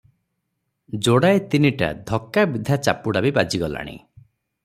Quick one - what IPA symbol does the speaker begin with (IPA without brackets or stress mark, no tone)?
d͡ʒ